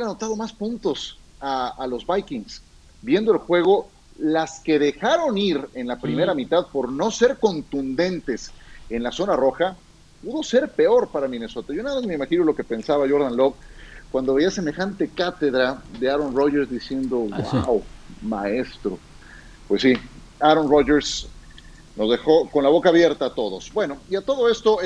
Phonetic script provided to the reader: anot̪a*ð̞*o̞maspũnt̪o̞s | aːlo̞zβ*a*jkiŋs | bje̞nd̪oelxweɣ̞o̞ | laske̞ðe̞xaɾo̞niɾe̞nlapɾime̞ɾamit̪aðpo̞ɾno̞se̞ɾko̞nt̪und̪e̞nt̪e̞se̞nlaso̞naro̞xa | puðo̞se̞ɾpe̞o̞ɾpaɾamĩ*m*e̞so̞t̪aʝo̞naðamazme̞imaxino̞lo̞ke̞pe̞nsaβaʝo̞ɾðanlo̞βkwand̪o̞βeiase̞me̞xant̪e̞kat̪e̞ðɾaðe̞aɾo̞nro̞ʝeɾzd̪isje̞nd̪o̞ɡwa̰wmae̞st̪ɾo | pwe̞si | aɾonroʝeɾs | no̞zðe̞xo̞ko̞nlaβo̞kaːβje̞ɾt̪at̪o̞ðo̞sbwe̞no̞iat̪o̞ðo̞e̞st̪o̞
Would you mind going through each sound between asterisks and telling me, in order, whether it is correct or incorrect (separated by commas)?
correct, correct, incorrect